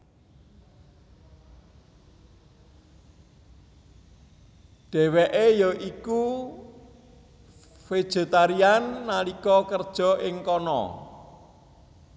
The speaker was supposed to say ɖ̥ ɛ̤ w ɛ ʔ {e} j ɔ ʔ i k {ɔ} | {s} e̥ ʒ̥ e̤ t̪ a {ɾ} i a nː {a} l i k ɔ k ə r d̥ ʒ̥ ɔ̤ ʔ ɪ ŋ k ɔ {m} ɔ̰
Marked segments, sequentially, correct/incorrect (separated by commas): correct, incorrect, incorrect, correct, correct, incorrect